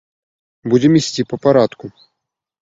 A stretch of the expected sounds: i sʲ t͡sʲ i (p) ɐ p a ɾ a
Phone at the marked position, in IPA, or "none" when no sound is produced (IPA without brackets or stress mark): p